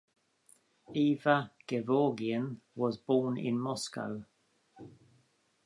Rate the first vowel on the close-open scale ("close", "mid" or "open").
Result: close